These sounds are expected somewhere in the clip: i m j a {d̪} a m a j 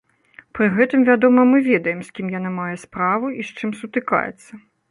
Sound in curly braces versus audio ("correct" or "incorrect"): incorrect